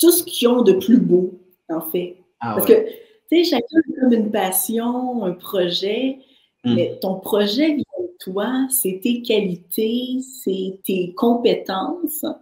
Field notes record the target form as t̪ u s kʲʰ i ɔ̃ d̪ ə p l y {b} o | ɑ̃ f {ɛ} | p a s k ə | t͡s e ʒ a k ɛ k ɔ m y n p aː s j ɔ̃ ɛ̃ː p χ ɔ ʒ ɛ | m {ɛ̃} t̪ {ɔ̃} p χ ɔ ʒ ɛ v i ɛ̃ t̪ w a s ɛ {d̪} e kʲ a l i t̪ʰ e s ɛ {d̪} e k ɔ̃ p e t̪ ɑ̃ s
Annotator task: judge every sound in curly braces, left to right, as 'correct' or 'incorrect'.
correct, correct, incorrect: ɛ, correct, incorrect: t̪, incorrect: t̪

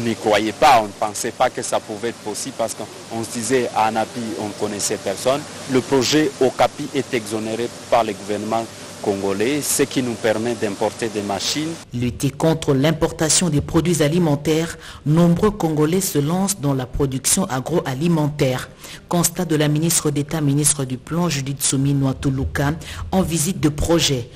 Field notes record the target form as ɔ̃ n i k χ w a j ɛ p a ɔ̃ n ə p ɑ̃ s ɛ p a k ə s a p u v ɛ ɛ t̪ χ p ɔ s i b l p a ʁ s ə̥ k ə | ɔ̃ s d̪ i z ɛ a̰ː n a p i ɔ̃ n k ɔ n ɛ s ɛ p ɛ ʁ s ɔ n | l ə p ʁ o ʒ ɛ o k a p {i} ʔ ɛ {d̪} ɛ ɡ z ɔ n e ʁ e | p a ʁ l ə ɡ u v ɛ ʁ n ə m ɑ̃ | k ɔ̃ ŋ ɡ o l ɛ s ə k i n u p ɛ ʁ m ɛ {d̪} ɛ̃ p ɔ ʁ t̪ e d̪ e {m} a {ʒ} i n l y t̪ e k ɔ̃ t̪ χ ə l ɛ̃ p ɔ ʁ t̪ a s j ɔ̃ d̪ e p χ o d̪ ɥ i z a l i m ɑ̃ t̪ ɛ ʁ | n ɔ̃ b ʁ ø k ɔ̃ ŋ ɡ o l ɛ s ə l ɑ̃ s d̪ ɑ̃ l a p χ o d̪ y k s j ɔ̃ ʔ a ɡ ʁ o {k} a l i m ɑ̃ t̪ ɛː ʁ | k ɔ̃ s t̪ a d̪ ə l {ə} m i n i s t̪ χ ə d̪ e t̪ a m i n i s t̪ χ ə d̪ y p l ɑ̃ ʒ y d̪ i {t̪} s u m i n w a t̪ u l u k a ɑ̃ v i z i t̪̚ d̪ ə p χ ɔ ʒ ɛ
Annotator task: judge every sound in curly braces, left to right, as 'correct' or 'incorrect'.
correct, incorrect: t̪, correct, correct, incorrect: ʃ, incorrect: ʔ, incorrect: a, correct

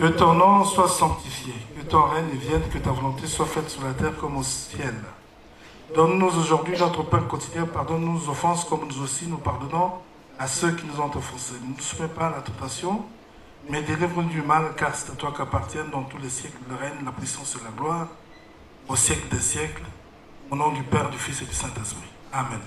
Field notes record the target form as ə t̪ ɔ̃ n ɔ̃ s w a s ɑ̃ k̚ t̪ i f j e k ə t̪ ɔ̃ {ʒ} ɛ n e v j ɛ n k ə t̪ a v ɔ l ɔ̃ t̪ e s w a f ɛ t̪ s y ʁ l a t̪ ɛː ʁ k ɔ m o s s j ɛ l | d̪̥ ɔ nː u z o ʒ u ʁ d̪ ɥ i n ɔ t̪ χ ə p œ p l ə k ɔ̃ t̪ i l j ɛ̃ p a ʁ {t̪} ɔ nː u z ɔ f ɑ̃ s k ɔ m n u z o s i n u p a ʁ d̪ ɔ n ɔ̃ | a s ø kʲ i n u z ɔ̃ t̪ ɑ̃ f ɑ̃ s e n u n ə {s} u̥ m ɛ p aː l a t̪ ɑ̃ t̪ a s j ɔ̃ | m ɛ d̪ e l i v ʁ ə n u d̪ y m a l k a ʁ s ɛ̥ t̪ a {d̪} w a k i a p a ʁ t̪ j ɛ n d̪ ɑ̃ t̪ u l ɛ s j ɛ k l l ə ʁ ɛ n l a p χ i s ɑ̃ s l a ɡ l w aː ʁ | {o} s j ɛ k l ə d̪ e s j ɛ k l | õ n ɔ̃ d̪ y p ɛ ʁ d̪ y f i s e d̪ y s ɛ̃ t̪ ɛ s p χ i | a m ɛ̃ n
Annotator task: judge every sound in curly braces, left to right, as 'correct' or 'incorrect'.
incorrect: ʁ, incorrect: d̪, correct, incorrect: t̪, correct

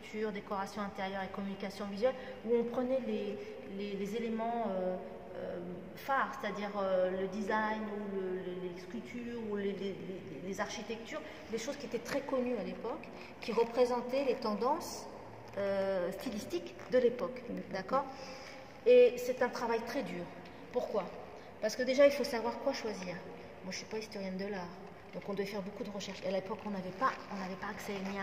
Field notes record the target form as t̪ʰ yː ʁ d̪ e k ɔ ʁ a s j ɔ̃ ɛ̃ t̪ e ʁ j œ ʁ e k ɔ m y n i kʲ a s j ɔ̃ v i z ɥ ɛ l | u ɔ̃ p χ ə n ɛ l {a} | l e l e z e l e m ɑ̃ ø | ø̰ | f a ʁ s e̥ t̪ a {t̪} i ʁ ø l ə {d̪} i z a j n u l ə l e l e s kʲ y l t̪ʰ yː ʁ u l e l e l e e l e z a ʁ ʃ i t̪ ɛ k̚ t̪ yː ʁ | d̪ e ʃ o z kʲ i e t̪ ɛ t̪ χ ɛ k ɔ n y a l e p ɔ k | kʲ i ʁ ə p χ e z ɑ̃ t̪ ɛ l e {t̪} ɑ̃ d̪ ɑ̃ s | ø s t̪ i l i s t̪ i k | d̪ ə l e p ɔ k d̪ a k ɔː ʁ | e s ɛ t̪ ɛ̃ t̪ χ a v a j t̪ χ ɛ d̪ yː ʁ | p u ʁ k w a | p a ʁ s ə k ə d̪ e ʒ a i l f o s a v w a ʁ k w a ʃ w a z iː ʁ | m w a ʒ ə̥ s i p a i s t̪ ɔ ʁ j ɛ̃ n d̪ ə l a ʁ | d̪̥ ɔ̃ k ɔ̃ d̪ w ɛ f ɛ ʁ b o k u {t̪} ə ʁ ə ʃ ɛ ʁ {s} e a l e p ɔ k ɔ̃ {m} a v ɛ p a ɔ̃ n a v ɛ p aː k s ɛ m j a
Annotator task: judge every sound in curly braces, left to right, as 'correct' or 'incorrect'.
incorrect: e, incorrect: d̪, correct, correct, incorrect: d̪, incorrect: ʃ, incorrect: n

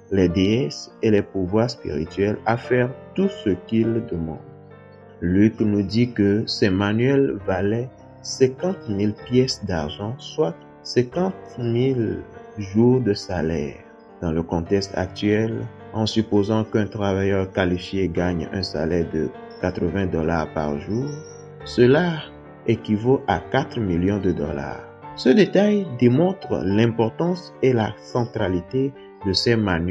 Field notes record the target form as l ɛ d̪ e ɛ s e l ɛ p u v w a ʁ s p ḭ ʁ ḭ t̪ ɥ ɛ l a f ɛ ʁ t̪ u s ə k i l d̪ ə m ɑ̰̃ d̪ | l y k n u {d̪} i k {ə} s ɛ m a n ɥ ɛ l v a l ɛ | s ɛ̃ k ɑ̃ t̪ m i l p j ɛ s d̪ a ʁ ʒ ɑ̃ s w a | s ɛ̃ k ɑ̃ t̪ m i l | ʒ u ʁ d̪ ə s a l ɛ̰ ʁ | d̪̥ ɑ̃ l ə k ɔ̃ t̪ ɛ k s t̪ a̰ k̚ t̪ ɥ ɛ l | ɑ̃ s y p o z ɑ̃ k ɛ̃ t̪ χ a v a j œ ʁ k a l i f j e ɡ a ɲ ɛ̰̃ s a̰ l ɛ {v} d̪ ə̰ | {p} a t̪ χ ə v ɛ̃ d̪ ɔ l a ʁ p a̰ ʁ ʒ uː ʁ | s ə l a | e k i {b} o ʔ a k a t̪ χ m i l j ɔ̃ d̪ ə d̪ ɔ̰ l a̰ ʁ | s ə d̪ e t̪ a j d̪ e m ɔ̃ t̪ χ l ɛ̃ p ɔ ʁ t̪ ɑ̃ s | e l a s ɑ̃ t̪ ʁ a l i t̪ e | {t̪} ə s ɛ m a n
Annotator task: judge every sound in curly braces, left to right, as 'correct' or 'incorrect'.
correct, correct, incorrect: ʁ, incorrect: k, incorrect: v, incorrect: d̪

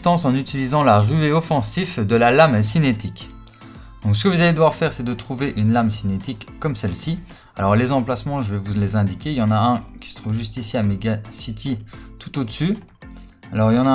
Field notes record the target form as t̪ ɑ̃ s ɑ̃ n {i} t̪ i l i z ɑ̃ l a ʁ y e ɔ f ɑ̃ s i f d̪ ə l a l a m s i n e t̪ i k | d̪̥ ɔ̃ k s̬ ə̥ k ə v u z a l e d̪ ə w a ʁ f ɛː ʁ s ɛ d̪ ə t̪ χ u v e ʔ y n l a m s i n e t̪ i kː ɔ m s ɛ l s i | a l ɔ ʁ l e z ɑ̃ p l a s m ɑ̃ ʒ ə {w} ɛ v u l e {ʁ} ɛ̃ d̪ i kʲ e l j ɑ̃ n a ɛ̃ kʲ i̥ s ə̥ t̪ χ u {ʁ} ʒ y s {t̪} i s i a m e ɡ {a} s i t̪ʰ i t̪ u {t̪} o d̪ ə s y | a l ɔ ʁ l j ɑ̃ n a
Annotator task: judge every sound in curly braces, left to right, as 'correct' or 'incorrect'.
incorrect: y, incorrect: v, incorrect: z, incorrect: v, correct, correct, correct

